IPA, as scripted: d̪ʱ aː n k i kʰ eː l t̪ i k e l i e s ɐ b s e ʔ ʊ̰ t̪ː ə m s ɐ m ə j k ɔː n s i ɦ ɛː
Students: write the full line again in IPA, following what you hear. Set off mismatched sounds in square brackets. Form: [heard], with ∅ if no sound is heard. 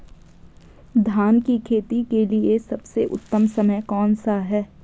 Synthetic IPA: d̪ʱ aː n k i kʰ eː [∅] t̪ i k e l i e s ɐ b s e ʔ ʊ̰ t̪ː ə m s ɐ m ə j k ɔː n s [a] ɦ ɛː

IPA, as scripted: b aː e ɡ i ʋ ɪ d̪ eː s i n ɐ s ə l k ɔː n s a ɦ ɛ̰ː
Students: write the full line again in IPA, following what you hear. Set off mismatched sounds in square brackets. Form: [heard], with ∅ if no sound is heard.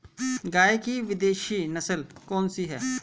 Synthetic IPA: [ɡ] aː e [k] i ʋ ɪ d̪ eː [ʃ] i n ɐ s ə l k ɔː n s [i] ɦ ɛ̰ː

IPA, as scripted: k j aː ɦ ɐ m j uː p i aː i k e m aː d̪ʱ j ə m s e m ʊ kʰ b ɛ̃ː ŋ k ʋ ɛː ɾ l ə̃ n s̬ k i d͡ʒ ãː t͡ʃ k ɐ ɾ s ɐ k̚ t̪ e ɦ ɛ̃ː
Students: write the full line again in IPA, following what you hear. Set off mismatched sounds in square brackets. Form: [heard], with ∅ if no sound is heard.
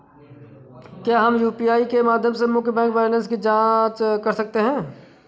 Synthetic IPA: k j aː ɦ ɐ m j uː p i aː i k e m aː d̪ʱ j ə m s e m ʊ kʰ b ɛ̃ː ŋ k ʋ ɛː ɾ l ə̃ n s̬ k i d͡ʒ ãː t͡ʃ k ɐ ɾ s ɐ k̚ t̪ e ɦ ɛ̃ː

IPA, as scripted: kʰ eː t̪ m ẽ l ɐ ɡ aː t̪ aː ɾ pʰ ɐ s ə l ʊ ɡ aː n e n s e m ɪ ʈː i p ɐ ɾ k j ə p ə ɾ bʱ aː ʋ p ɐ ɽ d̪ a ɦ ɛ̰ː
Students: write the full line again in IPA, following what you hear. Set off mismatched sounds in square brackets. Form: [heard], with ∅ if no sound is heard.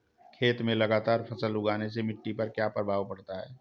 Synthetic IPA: kʰ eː t̪ m ẽ l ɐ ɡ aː t̪ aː ɾ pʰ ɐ s ə l ʊ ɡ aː n e [∅] s e m ɪ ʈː i p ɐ ɾ k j [a] p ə ɾ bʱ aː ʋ p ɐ ɽ [t̪] a ɦ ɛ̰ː

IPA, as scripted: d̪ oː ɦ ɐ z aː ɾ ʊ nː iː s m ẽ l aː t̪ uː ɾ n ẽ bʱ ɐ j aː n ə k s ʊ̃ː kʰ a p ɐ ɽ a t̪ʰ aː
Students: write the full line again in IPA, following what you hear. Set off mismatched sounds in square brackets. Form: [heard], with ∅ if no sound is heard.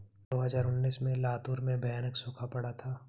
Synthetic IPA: d̪ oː ɦ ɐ z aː ɾ ʊ nː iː s m ẽ l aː t̪ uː ɾ [m] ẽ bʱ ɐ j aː n ə k s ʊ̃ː kʰ a p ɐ ɽ a t̪ʰ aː

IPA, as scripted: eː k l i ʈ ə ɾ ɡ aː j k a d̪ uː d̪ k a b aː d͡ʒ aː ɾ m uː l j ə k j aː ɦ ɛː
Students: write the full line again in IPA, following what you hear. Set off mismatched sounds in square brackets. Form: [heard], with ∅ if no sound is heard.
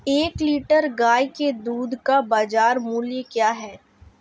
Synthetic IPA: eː k l [iː] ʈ ə ɾ ɡ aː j k [e] d̪ uː d̪ k a b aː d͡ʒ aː ɾ m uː l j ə k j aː ɦ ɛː

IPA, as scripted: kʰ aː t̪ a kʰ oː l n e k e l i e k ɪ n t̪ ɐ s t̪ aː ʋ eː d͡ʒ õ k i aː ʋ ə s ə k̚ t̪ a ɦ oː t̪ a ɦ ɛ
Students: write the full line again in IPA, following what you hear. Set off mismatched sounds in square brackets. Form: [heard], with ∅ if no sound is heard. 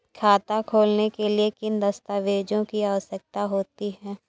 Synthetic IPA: kʰ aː t̪ a kʰ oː l n e k e l i e k ɪ n [d̪] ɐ s t̪ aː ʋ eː d͡ʒ õ k i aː ʋ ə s ə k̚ t̪ a ɦ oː t̪ [i] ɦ [ɛː]

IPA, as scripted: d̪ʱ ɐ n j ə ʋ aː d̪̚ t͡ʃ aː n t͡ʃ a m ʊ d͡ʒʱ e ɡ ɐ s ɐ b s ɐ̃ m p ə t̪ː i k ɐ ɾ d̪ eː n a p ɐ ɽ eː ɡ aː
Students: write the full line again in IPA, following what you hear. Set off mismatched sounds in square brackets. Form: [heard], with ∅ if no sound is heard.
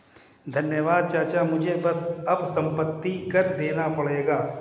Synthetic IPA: d̪ʱ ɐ n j ə ʋ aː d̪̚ t͡ʃ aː [∅] t͡ʃ a m ʊ d͡ʒʱ e [b] ɐ s ɐ b s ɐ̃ m p ə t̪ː i k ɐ ɾ d̪ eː n a p ɐ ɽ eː ɡ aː

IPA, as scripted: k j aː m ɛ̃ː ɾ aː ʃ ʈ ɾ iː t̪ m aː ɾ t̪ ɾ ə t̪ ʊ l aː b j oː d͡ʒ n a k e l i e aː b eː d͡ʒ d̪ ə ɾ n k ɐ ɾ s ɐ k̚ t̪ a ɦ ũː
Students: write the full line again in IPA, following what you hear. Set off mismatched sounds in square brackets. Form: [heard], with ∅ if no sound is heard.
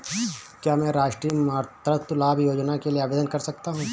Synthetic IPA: k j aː m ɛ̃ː ɾ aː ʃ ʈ ɾ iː [∅] m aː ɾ t̪ ɾ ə t̪ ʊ l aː b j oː d͡ʒ n a k e l i e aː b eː [∅] d̪ ə [∅] n k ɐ ɾ s ɐ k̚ t̪ a ɦ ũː

